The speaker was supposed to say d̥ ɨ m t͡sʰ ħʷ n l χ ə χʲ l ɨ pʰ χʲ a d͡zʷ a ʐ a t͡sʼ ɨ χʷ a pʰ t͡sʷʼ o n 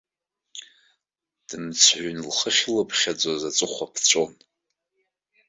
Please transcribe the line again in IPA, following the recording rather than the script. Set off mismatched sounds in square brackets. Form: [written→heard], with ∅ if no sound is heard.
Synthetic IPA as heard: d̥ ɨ m t͡sʰ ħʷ n l χ ə χʲ l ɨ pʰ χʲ a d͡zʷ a [ʐ→z] a t͡sʼ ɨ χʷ a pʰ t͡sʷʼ o n

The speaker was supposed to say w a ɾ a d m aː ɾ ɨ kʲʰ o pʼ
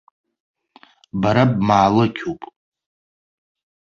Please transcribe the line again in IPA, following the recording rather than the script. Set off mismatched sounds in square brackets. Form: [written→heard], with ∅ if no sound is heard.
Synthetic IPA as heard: [w→b] a ɾ a [d→b] m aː [ɾ→l] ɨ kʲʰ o pʼ

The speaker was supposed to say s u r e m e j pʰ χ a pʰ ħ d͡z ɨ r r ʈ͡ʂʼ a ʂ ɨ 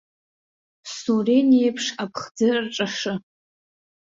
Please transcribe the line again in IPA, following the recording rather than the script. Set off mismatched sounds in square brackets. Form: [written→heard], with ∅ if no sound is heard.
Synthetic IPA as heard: s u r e [m→n] e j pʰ [χ→ʂ] a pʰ [ħ→χ] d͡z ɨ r r ʈ͡ʂʼ a ʂ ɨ

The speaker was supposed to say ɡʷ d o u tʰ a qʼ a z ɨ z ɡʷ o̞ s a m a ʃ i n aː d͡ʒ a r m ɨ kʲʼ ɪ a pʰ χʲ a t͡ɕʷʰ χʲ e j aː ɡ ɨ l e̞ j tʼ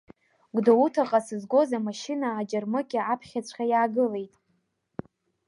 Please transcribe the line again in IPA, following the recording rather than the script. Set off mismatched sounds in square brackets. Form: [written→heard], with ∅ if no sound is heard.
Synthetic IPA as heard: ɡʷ d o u tʰ a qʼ a [z→s] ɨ z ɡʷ o̞ [s→z] a m a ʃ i n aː d͡ʒ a r m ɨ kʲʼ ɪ a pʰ χʲ a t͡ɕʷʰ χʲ [e→a] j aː ɡ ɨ l e̞ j tʼ

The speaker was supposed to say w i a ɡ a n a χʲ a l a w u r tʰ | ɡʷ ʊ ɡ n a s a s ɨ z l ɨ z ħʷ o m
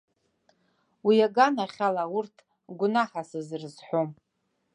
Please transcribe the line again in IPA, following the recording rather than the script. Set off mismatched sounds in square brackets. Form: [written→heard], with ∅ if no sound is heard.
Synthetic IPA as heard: w i a ɡ a n a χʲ a l a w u r tʰ | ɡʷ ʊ [ɡ→∅] n a [s→ħ] a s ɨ z [l→r] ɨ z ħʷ o m

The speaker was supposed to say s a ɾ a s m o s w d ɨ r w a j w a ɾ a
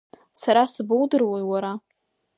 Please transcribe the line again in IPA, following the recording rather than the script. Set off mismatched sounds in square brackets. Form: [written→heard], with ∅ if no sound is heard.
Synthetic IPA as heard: s a ɾ a s [m→b] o [s→∅] w d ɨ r w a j w a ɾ a

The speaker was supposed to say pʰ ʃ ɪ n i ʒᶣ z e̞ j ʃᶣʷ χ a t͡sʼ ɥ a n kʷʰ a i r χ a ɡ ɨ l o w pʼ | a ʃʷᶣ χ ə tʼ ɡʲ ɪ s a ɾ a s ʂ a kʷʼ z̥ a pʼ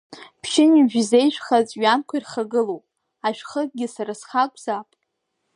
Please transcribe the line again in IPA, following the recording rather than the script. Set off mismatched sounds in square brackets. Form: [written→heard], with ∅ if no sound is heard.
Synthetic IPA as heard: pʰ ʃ ɪ n i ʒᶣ z e̞ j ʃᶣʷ χ a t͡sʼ ɥ a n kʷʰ a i r χ a ɡ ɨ l o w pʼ | a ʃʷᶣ χ ə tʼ ɡʲ ɪ s a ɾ a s [ʂ→χ] a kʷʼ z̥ a pʼ

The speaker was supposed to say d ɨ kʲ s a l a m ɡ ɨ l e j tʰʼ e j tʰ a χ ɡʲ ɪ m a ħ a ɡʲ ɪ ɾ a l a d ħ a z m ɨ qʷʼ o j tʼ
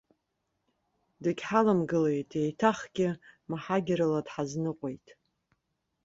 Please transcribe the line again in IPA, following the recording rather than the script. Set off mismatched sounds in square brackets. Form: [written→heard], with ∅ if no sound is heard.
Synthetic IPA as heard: d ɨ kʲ [s→ħ] a l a m ɡ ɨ l e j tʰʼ e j tʰ a χ ɡʲ ɪ m a ħ a ɡʲ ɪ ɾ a l a d ħ a z [m→n] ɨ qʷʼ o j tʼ

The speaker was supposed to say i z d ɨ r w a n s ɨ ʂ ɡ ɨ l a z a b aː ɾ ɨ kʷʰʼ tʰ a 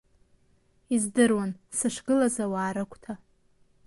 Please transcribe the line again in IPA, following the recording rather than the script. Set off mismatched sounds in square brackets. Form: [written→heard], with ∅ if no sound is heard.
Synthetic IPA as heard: i z d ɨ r w a n s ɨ ʂ ɡ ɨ l a z a [b→w] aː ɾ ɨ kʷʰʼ tʰ a

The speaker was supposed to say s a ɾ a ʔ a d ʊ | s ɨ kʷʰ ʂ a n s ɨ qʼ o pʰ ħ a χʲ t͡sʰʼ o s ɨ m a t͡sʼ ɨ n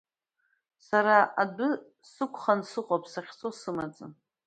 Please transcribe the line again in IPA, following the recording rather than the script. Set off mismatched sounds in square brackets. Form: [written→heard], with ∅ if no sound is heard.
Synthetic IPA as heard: s a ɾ a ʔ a d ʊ | s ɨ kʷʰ [ʂ→χ] a n s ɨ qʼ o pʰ [ħ→s] a χʲ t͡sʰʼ o s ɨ m a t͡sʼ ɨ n

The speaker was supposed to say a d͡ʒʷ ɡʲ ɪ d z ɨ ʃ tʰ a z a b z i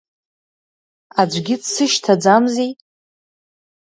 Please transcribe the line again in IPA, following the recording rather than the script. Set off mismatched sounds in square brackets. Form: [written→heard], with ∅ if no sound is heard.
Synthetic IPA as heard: a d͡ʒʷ ɡʲ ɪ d [z→s] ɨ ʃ tʰ a [z→d͡z] a [b→m] z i

